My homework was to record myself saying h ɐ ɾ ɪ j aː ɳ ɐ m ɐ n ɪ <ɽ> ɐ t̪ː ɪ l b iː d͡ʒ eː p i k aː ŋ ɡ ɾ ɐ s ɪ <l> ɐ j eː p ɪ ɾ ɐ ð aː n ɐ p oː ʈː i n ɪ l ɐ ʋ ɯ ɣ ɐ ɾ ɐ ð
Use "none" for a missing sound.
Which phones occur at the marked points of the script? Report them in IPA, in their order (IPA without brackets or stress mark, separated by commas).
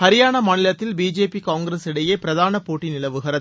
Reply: l, ɽ